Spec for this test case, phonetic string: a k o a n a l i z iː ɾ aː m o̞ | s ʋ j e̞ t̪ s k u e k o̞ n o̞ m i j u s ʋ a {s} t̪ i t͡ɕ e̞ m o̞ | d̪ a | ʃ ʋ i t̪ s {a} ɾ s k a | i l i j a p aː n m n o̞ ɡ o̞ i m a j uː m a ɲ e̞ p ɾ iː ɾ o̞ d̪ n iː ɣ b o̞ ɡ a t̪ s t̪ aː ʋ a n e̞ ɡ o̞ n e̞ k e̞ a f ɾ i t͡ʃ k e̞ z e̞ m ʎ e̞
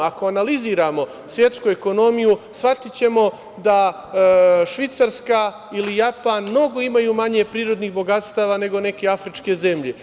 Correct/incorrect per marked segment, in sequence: incorrect, correct

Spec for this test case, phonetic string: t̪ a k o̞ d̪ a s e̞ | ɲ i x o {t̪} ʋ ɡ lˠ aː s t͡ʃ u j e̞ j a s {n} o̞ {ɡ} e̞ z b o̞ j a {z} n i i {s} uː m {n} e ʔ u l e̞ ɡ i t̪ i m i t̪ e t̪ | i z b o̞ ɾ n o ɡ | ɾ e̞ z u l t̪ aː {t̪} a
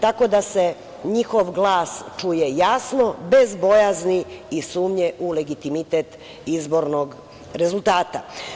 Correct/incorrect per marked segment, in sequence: incorrect, correct, incorrect, correct, correct, incorrect, correct

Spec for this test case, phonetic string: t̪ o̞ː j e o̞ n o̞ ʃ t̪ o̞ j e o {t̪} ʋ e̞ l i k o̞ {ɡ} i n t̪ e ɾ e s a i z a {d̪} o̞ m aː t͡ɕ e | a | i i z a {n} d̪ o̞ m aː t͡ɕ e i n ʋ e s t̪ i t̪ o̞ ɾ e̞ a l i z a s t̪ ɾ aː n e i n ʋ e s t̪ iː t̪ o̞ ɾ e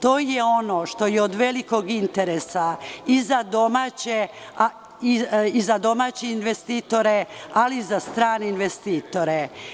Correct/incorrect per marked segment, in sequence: incorrect, correct, correct, incorrect

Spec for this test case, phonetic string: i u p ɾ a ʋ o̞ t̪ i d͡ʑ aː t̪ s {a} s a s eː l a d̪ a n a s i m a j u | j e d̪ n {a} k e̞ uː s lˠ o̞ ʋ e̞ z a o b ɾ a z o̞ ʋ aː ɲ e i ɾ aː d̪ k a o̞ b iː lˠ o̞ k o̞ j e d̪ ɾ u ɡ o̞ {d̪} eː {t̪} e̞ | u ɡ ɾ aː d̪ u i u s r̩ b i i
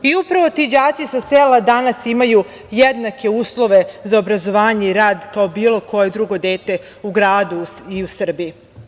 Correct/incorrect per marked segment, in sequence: incorrect, correct, correct, correct

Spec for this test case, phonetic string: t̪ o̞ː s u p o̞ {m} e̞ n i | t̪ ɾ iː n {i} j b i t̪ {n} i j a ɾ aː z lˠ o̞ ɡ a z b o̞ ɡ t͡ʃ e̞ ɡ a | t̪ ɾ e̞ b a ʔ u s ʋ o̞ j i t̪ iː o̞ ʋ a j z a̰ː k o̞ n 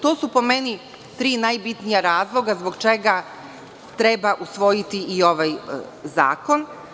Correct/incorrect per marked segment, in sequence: correct, incorrect, correct

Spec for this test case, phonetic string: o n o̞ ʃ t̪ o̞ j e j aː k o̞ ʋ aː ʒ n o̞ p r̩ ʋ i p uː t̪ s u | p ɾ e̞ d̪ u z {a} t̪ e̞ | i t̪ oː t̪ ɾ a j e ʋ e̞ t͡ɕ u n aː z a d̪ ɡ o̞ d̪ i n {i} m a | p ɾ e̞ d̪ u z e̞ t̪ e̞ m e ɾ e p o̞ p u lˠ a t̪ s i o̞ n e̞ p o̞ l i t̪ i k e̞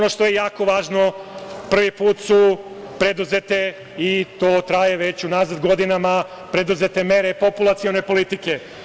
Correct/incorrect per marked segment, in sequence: incorrect, incorrect

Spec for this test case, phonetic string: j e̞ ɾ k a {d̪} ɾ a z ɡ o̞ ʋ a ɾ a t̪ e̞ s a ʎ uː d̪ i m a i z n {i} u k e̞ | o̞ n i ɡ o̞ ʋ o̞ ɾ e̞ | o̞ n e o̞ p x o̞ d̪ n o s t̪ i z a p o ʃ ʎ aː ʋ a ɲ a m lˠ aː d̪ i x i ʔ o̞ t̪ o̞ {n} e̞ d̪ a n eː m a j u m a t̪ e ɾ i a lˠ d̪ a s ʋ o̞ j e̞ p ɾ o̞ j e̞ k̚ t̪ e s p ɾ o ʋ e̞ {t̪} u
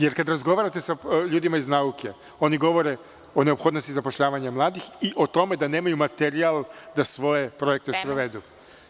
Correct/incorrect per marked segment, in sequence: correct, incorrect, incorrect, incorrect

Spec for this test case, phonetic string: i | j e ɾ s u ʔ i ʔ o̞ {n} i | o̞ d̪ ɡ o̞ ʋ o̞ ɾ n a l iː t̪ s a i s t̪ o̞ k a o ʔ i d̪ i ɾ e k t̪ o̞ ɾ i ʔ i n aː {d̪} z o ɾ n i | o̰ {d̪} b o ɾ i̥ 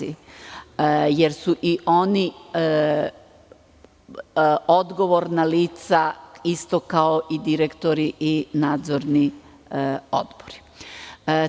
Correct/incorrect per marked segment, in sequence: correct, correct, correct

